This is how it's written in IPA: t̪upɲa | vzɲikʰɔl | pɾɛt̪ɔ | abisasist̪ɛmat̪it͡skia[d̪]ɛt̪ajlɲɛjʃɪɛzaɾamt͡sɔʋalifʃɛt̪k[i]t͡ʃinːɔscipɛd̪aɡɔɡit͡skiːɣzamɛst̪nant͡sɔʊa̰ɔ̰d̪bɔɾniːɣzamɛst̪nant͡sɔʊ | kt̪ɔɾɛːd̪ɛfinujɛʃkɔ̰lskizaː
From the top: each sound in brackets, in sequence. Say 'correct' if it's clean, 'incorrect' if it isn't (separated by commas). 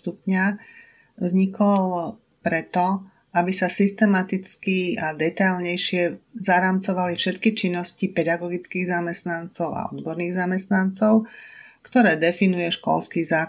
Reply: correct, correct